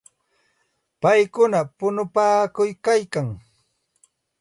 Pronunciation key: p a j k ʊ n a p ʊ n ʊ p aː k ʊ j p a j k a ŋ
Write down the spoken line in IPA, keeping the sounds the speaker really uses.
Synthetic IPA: p a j k ʊ n a p ʊ n ʊ p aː k ʊ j k a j k a ŋ